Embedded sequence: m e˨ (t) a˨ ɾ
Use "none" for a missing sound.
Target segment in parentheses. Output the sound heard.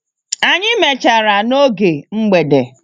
t͡ʃ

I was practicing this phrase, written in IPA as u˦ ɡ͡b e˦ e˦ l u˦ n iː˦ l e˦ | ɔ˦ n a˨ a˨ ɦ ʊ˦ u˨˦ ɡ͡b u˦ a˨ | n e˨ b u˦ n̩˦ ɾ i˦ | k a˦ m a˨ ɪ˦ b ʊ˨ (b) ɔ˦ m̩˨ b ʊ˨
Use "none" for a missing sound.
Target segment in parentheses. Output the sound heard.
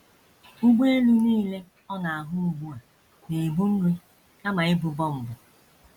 b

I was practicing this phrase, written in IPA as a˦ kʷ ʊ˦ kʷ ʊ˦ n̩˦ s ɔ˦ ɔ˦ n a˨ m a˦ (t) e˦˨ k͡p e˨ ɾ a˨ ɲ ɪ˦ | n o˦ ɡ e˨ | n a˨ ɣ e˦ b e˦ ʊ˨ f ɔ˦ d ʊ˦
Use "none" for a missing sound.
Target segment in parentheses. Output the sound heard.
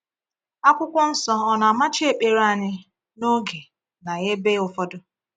t͡ʃ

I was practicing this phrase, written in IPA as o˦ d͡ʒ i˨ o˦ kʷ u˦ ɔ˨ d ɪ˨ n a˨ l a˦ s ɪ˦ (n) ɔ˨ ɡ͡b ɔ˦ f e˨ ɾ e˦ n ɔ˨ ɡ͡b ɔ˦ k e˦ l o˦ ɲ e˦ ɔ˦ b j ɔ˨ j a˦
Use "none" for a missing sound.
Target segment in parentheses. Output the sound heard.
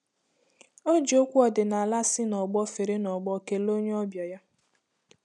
n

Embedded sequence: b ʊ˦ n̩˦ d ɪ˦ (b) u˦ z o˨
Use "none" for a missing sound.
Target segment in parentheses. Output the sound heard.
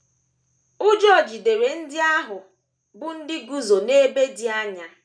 ɡ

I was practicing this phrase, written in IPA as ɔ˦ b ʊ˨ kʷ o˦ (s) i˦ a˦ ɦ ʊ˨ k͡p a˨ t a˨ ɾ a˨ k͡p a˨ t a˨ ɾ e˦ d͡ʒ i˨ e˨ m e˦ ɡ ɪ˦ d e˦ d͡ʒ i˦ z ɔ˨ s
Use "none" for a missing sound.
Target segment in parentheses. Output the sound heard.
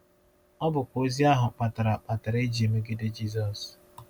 z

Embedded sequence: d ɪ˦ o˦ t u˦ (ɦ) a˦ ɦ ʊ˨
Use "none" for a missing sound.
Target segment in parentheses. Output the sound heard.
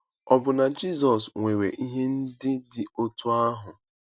none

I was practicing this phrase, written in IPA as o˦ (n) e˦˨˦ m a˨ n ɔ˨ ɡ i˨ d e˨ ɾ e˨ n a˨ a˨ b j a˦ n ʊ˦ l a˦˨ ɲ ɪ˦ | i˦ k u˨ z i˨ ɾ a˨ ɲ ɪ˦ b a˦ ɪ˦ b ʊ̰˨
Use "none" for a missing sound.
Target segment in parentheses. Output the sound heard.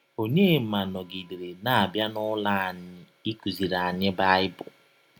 ɲ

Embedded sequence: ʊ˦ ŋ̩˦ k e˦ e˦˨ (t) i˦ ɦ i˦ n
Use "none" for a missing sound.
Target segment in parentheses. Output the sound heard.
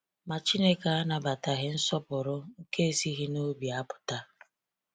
s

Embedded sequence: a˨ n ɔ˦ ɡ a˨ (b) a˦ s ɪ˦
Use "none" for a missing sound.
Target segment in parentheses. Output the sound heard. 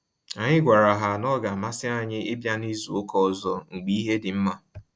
m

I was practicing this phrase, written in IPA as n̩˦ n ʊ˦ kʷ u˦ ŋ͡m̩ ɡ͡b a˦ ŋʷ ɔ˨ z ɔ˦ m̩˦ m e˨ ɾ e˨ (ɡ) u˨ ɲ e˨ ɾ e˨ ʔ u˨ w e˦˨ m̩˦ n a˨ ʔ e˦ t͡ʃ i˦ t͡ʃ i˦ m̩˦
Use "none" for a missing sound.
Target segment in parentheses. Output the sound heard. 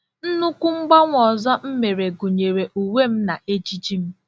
ɡ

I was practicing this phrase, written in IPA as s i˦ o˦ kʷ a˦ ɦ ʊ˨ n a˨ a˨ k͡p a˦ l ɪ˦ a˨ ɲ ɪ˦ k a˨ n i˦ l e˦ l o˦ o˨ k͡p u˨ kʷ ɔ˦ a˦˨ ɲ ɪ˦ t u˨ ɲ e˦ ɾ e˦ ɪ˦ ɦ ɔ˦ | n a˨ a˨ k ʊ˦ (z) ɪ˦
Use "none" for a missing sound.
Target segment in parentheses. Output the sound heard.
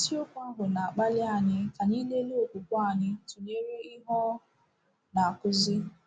z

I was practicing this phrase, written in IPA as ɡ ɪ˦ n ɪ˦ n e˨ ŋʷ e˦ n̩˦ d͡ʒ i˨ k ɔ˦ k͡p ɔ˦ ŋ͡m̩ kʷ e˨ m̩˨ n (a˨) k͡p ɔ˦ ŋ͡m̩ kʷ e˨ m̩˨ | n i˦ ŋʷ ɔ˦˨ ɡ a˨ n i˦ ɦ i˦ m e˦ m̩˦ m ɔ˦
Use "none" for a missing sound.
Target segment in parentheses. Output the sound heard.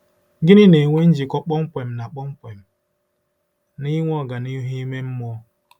a˨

